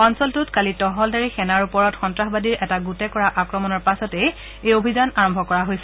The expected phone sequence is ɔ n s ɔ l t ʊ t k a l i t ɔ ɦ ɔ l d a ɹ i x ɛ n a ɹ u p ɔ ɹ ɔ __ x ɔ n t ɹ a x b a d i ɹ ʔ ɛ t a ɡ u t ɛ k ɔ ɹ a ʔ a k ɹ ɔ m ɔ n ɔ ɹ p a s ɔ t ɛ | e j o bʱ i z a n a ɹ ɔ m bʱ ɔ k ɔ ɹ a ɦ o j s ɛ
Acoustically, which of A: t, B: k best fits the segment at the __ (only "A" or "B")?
A